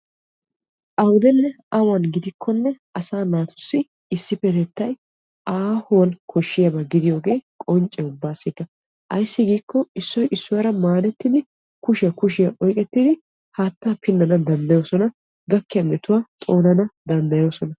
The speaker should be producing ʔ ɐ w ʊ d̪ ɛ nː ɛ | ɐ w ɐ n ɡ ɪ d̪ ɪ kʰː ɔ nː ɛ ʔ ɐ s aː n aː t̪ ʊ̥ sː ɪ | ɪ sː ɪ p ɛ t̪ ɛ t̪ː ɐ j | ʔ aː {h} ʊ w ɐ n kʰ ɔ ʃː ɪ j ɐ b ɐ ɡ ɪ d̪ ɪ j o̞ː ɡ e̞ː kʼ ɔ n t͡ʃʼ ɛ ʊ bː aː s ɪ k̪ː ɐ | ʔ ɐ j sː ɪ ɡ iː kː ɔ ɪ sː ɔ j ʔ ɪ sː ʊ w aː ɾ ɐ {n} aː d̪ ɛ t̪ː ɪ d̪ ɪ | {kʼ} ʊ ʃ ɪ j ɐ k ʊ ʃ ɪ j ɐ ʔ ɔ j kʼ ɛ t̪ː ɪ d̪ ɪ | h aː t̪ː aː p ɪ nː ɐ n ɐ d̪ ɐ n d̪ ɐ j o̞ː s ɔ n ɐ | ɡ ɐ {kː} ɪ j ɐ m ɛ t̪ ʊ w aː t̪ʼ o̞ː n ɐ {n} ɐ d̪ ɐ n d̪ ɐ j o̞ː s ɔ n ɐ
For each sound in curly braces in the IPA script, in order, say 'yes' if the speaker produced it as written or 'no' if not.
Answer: yes, no, no, yes, yes

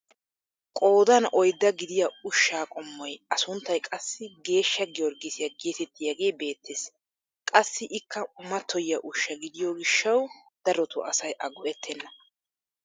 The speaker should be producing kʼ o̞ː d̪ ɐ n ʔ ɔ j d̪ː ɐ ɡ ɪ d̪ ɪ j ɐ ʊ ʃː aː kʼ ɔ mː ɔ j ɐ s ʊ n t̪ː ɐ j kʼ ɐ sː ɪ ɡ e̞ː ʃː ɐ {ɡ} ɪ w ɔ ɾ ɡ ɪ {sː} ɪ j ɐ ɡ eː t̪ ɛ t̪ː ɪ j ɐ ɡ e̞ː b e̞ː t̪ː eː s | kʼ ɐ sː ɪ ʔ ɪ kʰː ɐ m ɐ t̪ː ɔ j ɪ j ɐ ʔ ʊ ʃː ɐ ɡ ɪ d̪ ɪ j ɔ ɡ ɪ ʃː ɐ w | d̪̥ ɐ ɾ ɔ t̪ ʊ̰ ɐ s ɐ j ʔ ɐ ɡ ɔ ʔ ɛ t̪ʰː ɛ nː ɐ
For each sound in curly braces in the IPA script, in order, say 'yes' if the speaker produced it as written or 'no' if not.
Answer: yes, no

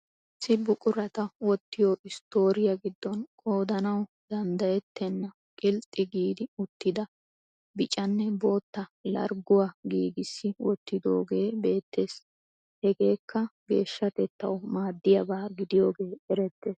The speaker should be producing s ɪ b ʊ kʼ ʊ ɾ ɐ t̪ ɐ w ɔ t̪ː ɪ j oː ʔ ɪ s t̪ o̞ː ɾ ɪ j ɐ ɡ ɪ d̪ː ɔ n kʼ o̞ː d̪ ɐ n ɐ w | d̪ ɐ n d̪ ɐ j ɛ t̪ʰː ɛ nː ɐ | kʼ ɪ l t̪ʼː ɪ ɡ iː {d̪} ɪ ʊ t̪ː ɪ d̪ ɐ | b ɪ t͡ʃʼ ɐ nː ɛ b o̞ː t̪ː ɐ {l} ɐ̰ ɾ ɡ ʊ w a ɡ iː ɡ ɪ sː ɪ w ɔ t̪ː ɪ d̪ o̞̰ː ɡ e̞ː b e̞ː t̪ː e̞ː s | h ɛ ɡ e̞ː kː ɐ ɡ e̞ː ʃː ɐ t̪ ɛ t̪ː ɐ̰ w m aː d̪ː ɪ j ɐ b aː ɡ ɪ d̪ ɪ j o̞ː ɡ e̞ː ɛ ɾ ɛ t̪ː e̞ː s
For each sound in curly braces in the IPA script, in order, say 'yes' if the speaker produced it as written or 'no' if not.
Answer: yes, yes

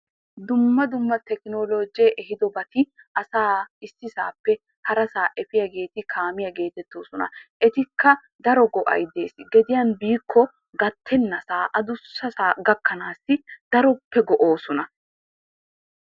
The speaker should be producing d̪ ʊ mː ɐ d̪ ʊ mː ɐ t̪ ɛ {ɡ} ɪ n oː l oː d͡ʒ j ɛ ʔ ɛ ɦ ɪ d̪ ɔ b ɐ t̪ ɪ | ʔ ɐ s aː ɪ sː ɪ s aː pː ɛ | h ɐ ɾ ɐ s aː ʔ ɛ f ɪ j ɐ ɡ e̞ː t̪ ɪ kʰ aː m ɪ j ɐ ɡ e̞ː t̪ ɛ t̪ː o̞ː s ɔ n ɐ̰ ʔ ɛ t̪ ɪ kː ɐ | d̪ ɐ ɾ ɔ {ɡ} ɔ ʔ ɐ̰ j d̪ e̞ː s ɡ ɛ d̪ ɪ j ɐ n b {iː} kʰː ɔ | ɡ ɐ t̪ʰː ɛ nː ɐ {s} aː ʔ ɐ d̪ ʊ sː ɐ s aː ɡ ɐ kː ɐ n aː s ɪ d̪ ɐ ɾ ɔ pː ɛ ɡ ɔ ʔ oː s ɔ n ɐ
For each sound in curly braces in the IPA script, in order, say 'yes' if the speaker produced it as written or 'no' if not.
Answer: no, yes, yes, yes

